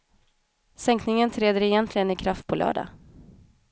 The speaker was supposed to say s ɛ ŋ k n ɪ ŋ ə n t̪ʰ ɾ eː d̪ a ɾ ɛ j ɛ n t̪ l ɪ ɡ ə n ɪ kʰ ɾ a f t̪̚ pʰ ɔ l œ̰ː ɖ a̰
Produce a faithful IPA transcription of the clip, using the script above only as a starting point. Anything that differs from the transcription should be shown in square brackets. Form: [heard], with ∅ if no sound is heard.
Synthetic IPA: s ɛ ŋ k n ɪ ŋ ə n t̪ʰ ɾ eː d̪ [ə] ɾ ɛ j ɛ n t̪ l ɪ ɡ ə n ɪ kʰ ɾ a f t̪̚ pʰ ɔ l œ̰ː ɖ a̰

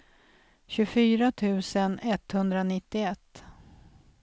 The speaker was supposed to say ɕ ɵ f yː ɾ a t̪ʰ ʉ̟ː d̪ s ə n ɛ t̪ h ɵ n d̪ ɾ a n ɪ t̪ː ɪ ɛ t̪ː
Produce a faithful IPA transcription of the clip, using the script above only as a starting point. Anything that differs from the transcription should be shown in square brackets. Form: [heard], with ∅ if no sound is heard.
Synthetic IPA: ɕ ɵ f yː ɾ a t̪ʰ ʉ̟ː [∅] s ə n ɛ t̪ h ɵ n d̪ ɾ a n ɪ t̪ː ɪ ɛ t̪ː

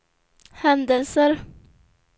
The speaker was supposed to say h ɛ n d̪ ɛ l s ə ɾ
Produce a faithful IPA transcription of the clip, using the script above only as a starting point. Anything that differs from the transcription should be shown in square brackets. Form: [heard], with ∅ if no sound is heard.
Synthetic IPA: h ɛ n d̪ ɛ l s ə ɾ

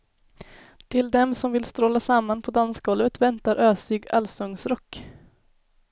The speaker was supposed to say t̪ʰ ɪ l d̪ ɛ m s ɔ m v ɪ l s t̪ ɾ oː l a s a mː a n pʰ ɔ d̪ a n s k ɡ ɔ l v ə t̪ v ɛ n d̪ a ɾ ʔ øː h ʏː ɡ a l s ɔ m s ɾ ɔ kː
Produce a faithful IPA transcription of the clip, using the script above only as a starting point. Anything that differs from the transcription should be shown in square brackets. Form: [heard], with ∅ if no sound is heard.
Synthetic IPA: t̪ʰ ɪ l d̪ ɛ m s ɔ m v ɪ l s t̪ ɾ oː l a s a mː a n pʰ ɔ d̪ a n s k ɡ ɔ l v ə t̪ v ɛ n [t̪] a ɾ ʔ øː [s] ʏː ɡ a l s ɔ [ŋ] s ɾ ɔ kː

